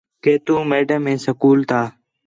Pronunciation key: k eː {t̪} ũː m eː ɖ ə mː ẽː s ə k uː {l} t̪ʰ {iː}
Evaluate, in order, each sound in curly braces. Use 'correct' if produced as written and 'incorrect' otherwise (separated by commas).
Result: correct, correct, incorrect